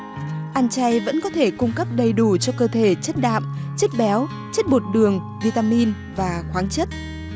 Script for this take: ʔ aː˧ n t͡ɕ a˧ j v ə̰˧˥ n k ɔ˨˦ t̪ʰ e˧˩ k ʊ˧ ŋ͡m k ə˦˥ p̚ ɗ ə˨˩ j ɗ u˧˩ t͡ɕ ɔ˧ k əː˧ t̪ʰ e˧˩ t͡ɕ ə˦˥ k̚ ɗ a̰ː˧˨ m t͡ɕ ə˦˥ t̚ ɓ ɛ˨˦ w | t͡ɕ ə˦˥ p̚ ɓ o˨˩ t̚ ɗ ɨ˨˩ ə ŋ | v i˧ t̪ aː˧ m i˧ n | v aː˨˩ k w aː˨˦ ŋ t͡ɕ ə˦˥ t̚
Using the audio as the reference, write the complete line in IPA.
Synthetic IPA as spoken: ʔ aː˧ n t͡ɕ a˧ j v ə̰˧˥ n k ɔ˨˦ t̪ʰ e˧˩ k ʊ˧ ŋ͡m k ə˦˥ p̚ ɗ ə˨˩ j ɗ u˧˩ t͡ɕ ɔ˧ k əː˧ t̪ʰ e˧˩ t͡ɕ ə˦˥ t̚ ɗ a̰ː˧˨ m t͡ɕ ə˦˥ t̚ ɓ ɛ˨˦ w | t͡ɕ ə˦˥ t̚ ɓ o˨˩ t̚ ɗ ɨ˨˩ ə ŋ | v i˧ t̪ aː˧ m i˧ n | v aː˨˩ x w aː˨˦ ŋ t͡ɕ ə˦˥ t̚

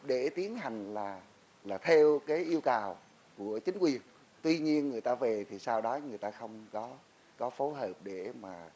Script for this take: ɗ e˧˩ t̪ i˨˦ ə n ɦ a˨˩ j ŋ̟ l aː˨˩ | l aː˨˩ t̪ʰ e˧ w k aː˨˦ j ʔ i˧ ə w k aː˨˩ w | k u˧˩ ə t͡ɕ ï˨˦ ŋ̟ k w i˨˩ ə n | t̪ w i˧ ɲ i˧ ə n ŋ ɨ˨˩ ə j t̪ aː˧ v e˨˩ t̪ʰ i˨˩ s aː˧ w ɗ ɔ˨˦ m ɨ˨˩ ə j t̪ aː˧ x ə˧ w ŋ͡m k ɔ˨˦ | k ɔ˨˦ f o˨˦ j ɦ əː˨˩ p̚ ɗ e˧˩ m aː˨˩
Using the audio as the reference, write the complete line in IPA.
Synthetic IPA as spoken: ɗ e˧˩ t̪ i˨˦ ə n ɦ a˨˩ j ŋ̟ l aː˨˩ | l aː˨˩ t̪ʰ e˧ w k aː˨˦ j ʔ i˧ ə w k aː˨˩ w | k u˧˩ ə t͡ɕ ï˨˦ ŋ̟ k w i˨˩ ə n | t̪ w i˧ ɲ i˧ ə n ŋ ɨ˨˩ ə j t̪ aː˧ v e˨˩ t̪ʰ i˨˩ s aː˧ w ɗ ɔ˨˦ ŋ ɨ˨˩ ə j t̪ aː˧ x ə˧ w ŋ͡m k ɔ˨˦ | k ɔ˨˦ f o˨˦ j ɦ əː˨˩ p̚ ɗ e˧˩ m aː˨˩

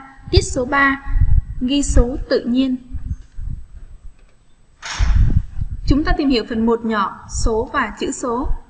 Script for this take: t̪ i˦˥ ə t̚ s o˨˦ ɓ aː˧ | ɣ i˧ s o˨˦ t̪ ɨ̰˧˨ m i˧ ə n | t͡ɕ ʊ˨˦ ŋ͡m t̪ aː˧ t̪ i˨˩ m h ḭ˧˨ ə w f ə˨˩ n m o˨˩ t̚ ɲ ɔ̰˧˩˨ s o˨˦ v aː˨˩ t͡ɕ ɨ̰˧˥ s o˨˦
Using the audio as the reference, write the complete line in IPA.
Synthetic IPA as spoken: t̪ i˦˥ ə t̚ s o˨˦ ɓ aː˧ | ɣ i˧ s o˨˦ t̪ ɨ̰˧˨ ɲ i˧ ə n | t͡ɕ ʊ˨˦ ŋ͡m t̪ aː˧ t̪ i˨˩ m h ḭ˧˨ ə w f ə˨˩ n m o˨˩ t̚ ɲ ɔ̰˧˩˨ s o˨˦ v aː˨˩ t͡ɕ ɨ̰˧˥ s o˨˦

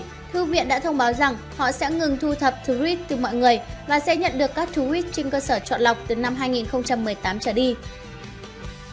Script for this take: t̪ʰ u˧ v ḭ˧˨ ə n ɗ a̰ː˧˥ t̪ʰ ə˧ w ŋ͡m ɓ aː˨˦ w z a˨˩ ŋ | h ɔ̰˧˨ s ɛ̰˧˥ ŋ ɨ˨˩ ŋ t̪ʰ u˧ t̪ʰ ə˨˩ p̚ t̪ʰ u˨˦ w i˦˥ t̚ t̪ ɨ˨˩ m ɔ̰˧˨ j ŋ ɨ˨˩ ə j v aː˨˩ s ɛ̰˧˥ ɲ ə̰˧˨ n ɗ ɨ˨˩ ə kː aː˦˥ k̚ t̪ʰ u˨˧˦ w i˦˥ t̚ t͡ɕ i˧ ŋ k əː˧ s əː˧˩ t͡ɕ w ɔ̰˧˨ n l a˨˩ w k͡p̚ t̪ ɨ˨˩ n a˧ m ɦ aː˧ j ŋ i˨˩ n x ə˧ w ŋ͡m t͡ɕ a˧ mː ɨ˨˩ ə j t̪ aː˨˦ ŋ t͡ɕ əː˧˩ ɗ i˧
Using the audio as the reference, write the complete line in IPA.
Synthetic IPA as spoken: t̪ʰ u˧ v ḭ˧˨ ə n ɗ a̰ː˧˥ t̪ʰ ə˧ w ŋ͡m ɓ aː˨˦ w z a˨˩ ŋ | h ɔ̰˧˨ s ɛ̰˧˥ ŋ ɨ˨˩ ŋ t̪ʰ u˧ t̪ʰ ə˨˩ p̚ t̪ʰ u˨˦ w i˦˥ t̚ t̪ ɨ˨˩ m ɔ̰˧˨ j ŋ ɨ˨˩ ə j v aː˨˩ s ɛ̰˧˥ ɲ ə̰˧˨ n ɗ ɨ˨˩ ə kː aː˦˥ k̚ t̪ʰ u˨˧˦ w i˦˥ t̚ t͡ɕ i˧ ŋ k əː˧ s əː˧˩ t͡ɕ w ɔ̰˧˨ n l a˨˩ w k͡p̚ t̪ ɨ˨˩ n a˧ m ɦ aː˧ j ŋ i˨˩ n x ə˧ w ŋ͡m t͡ɕ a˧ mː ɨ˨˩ ə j t̪ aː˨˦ m t͡ɕ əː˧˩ ɗ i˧

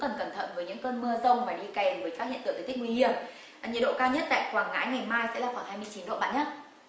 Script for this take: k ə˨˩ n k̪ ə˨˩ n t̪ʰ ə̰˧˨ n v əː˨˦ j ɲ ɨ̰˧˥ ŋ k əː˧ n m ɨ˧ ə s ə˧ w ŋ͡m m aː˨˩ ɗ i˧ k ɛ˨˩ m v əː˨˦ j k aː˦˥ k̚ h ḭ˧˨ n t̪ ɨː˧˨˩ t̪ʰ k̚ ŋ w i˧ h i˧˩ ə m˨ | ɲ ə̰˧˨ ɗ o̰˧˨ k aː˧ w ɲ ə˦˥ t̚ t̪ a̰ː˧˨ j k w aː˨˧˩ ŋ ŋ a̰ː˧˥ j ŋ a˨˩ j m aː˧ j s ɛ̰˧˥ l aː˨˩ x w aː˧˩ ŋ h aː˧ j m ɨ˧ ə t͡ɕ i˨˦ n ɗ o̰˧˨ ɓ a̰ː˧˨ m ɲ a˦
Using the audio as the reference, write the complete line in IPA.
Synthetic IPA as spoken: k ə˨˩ n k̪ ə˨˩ n t̪ʰ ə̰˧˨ n v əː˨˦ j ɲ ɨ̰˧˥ ŋ k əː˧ n m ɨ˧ ə z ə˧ w ŋ͡m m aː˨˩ ɗ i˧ k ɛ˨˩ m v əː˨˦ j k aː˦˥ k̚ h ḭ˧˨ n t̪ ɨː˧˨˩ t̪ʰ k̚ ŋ w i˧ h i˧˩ ə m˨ | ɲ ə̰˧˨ ɗ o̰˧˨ k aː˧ w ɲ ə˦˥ t̚ t̪ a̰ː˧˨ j k w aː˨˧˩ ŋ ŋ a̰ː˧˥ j ŋ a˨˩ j m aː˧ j s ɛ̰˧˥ l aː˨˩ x w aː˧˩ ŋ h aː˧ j m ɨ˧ ə t͡ɕ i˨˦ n ɗ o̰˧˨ ɓ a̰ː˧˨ n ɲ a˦

